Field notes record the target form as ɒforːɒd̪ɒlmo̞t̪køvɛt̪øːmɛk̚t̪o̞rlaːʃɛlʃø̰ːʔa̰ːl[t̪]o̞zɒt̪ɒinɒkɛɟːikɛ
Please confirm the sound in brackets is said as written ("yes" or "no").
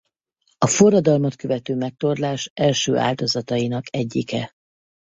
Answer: no